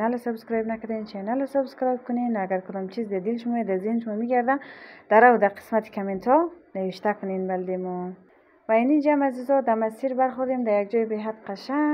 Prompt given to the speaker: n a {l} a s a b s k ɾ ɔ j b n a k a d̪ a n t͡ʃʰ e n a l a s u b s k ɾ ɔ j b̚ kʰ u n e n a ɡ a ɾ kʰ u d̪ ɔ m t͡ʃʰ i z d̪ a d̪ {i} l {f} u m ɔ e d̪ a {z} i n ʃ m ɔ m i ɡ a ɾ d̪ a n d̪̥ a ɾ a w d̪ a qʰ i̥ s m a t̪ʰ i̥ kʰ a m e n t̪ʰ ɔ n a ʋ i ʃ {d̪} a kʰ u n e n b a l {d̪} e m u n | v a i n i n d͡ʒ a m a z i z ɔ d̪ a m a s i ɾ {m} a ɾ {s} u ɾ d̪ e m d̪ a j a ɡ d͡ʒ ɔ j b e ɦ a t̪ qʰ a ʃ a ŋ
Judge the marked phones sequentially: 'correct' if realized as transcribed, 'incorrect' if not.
correct, correct, incorrect: ʃ, correct, incorrect: t̪, correct, incorrect: b, incorrect: χ

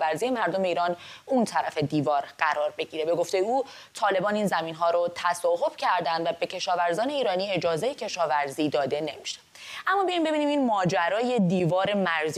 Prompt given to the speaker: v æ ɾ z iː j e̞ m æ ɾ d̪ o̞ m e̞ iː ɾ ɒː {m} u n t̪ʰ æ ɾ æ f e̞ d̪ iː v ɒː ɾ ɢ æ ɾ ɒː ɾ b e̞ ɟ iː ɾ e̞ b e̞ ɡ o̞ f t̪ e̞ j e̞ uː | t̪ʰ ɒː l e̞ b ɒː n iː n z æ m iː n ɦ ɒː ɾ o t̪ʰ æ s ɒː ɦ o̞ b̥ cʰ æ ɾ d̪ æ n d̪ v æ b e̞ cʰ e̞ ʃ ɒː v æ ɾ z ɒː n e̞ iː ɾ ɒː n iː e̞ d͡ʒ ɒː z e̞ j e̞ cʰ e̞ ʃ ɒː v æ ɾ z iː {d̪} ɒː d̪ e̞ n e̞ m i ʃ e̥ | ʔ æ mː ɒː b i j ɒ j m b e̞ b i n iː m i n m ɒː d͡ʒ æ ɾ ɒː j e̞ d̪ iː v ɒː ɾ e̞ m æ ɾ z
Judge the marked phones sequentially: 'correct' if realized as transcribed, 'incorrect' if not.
incorrect: n, correct

